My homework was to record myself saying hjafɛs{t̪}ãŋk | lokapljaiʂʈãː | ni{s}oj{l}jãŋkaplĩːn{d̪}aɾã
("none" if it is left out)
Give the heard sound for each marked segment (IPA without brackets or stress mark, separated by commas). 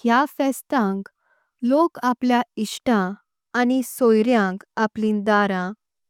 t̪, s, ɾ, d̪